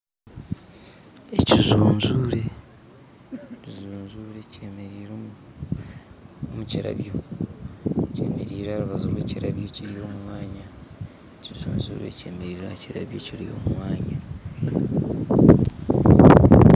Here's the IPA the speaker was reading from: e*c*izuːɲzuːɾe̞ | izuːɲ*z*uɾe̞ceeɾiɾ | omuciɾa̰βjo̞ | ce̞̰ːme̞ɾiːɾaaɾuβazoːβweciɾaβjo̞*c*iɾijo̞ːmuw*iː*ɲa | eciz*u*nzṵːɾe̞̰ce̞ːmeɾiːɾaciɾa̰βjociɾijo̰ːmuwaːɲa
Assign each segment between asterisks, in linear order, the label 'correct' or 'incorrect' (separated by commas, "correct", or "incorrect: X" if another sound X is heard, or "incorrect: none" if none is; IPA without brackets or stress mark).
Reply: correct, correct, correct, incorrect: aː, incorrect: uː